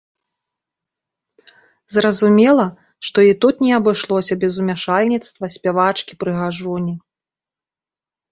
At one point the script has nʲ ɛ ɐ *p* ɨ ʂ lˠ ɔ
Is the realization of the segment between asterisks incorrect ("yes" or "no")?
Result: yes